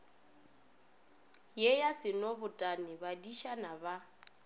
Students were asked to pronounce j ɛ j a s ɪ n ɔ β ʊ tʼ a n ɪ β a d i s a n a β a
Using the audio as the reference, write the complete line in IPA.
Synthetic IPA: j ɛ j a s ɪ n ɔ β ʊ tʼ a n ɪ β a d i ʃ a n a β a